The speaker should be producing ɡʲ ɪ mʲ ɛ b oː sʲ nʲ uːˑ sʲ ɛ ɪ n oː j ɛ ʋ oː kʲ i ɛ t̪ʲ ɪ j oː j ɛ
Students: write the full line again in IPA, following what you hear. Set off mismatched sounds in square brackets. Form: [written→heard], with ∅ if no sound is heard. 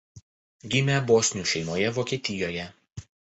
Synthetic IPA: ɡʲ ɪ mʲ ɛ b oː sʲ nʲ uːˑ [sʲ→ʃʲ] ɛ ɪ [n→m] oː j ɛ ʋ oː kʲ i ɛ t̪ʲ ɪ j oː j ɛ